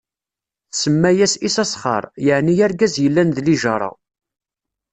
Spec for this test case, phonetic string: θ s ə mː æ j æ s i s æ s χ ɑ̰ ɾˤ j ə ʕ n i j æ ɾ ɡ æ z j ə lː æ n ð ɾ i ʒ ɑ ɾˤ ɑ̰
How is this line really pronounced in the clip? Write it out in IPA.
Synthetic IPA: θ s ə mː æ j æ s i s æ s χ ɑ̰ ɾˤ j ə ʕ n i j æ ɾ ɡ æ z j ə lː æ n ð l i ʒ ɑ ɾˤ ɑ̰